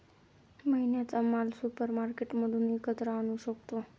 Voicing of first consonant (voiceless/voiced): voiced